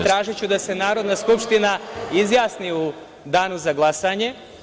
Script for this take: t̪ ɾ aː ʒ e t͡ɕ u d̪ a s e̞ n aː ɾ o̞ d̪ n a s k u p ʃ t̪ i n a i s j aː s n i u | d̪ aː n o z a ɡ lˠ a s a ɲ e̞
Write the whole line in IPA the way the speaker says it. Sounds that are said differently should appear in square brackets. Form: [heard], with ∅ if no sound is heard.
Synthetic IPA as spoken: t̪ ɾ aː ʒ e t͡ɕ u d̪ a s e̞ n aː ɾ o̞ d̪ n a s k u p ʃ t̪ i n a i [z] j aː s n i u | d̪ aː n [u] z a ɡ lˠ a s a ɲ e̞